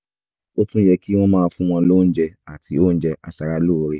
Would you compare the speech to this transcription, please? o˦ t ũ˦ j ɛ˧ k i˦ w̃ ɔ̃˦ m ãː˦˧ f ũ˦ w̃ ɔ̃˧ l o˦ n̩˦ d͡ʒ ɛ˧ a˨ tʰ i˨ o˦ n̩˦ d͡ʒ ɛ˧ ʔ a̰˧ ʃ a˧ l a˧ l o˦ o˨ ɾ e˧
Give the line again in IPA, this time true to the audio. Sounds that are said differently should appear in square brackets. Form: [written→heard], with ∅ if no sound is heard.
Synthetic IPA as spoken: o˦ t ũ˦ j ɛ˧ k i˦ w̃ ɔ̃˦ m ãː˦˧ f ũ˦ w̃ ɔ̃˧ l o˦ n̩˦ d͡ʒ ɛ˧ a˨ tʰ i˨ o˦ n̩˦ d͡ʒ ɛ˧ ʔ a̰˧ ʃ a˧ [l→ɾ] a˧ l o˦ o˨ ɾ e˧